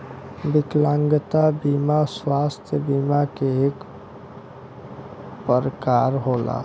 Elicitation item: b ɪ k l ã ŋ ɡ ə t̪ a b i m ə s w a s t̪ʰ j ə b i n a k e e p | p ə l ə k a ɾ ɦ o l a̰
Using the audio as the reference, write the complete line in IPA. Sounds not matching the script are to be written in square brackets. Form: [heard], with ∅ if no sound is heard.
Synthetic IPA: b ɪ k l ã ŋ ɡ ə t̪ a b i m [a] s w a s t̪ʰ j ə b i [m] a k e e [k] | p ə [ɾ] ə k a ɾ ɦ o l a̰